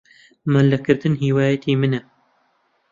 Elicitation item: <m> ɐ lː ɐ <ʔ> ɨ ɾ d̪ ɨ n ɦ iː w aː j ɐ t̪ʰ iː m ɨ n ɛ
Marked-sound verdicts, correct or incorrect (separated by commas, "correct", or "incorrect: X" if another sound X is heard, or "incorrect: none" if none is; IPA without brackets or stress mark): correct, incorrect: k